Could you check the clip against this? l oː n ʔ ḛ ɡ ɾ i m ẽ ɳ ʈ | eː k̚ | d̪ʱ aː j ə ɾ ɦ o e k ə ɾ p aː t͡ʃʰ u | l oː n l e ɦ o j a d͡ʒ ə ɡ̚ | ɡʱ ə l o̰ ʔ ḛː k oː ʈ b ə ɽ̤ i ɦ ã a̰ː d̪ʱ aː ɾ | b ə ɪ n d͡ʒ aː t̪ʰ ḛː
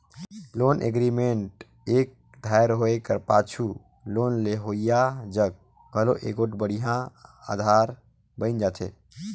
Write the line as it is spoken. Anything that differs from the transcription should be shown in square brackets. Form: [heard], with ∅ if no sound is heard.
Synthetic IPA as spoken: l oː n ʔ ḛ ɡ ɾ i m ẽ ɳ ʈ | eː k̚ | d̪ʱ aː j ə ɾ ɦ o e k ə ɾ p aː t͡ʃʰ u | l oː n l e ɦ o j a d͡ʒ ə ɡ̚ | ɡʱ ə l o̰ ʔ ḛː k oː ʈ b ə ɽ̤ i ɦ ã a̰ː d̪ʱ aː ɾ | b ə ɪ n d͡ʒ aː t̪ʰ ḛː

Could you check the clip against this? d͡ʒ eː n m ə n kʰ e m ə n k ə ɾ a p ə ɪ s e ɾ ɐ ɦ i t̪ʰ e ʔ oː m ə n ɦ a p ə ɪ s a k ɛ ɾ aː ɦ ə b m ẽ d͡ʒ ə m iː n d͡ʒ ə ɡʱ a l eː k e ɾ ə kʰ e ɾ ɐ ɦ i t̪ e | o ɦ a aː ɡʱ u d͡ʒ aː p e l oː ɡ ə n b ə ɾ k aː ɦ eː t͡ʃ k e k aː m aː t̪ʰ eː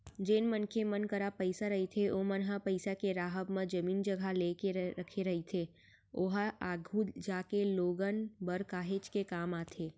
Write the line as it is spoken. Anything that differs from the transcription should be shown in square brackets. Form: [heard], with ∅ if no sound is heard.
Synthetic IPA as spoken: d͡ʒ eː n m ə n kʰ e m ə n k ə ɾ a p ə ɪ s [a] ɾ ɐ ɦ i t̪ʰ e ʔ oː m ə n ɦ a p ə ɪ s a k [e] ɾ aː ɦ ə b m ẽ d͡ʒ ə m iː n d͡ʒ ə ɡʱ a l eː k e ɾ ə kʰ e ɾ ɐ ɦ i [t̪ʰ] e | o ɦ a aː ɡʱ u d͡ʒ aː [k] e l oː ɡ ə n b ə ɾ k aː ɦ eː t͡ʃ k e k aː m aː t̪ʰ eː

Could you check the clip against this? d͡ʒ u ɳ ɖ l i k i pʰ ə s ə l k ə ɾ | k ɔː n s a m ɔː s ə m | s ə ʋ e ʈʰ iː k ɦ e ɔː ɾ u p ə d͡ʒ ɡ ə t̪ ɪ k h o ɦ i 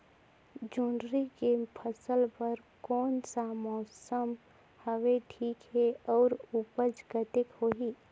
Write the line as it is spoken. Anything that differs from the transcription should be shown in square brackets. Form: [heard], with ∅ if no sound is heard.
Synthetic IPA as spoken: d͡ʒ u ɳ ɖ [ɾ] i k [e] pʰ ə s ə l [p] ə ɾ | k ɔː n s a m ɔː s ə m | [h] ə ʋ e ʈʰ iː k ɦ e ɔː ɾ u p ə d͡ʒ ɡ ə t̪ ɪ k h o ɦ i

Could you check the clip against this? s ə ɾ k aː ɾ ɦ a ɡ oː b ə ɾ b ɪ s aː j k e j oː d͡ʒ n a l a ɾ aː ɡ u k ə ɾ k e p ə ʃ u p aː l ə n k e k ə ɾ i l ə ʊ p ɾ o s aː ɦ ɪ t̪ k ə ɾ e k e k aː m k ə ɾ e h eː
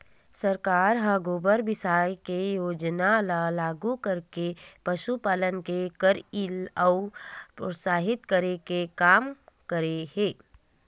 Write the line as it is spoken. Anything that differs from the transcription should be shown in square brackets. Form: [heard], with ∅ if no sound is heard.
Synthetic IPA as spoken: s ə ɾ k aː ɾ ɦ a ɡ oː b ə ɾ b ɪ s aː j k e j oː d͡ʒ n a l a [l] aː ɡ u k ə ɾ k e p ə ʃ u p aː l ə n k e k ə ɾ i l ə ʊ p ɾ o s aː ɦ ɪ t̪ k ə ɾ e k e k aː m k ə ɾ e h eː

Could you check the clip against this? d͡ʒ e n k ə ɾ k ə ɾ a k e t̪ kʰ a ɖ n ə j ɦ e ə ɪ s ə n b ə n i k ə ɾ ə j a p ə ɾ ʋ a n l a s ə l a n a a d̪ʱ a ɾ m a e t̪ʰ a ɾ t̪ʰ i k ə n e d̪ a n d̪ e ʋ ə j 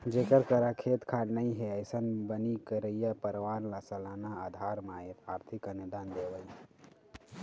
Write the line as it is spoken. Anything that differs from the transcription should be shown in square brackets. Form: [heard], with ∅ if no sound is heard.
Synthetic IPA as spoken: d͡ʒ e [∅] k ə ɾ k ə ɾ a [kʰ] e t̪ kʰ a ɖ n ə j ɦ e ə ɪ s ə n b ə n i k ə ɾ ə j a p ə ɾ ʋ a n l a s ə l a n a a d̪ʱ a ɾ m a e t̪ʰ a ɾ t̪ʰ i k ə n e d̪ a n d̪ e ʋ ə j

